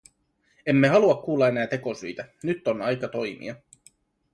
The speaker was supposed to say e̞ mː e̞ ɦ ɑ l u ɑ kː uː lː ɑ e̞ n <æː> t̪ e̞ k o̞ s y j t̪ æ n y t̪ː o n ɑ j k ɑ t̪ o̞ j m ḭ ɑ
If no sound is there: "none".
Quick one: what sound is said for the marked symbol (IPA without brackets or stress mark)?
æː